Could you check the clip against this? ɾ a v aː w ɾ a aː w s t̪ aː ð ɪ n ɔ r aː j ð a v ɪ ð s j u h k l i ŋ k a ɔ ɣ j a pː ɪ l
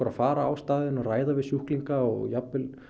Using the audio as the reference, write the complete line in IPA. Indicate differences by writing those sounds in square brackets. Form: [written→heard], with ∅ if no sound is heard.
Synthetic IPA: ɾ a [v→f] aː [w→∅] ɾ a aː w s t̪ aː ð ɪ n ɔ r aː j ð a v ɪ ð s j u h k l i ŋ k a ɔ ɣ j a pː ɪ l